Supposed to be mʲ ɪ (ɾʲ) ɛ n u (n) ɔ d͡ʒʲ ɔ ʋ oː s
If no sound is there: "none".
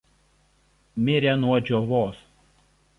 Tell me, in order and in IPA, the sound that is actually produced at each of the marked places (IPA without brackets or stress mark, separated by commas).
ɾʲ, none